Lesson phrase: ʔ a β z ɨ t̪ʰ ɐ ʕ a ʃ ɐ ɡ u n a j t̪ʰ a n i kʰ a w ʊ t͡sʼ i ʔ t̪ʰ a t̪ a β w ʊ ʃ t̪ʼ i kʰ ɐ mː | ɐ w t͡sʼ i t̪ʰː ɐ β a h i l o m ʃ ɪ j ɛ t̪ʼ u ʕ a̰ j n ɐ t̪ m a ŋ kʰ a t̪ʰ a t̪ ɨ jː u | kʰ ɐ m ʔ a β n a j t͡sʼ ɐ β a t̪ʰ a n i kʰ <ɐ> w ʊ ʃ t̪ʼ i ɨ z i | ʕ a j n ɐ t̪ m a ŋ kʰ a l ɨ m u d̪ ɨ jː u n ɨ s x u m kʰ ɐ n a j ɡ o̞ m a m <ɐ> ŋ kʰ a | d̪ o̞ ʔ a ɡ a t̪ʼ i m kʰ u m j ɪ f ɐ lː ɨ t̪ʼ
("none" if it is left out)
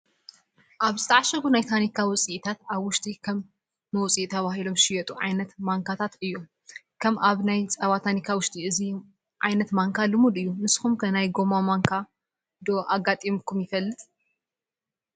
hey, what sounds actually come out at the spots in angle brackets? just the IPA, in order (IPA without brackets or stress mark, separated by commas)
a, a